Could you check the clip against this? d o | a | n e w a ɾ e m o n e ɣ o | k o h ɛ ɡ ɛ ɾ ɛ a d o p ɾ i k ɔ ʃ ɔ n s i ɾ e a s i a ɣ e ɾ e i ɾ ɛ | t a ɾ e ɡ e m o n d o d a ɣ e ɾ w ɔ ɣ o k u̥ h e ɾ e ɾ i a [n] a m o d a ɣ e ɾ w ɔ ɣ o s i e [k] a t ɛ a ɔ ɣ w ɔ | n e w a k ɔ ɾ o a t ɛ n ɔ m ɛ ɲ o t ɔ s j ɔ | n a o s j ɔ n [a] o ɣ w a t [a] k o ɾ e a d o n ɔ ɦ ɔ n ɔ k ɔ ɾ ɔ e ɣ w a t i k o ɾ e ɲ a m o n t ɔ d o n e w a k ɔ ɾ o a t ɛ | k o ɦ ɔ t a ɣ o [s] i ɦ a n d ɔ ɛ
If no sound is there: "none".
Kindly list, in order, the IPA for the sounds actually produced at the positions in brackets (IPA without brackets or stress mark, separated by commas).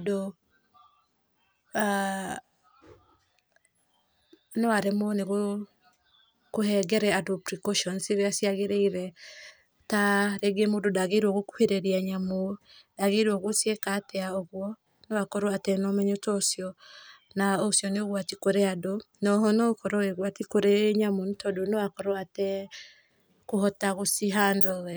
ɲ, k, e, i, s